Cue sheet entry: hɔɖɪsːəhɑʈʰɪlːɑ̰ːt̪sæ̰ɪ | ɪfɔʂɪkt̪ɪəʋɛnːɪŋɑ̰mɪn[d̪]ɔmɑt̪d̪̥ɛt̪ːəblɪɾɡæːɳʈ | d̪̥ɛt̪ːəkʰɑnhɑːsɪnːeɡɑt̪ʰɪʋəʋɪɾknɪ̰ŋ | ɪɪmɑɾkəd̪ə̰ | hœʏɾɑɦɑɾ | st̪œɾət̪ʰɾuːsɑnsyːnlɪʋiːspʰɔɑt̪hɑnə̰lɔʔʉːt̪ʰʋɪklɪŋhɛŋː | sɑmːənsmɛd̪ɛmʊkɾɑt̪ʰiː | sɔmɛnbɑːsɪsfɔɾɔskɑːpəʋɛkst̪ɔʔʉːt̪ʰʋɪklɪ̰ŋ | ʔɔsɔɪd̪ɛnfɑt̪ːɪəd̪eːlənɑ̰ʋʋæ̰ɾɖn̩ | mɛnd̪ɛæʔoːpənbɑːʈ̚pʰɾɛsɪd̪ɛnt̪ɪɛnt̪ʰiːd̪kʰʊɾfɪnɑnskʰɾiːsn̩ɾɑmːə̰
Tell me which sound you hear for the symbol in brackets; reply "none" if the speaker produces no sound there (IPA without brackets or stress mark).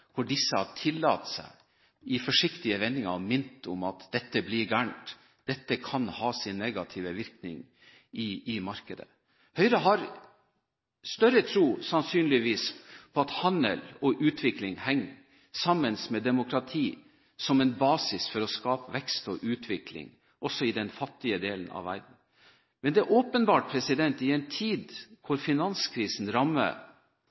t̪